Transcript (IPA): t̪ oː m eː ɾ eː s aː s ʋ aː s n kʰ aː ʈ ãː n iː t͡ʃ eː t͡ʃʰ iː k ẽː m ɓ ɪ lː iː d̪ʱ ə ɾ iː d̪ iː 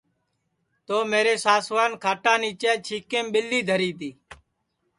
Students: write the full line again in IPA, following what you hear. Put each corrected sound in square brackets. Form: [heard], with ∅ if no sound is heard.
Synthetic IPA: t̪ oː m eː ɾ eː s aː s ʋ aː [∅] n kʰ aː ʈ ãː n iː t͡ʃ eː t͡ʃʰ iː k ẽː m ɓ ɪ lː iː d̪ʱ ə ɾ iː [t̪] iː